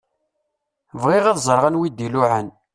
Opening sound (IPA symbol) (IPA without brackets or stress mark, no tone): v